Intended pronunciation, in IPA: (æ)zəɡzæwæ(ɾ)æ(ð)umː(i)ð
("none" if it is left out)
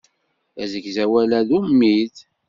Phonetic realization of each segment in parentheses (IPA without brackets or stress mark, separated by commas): æ, l, ð, i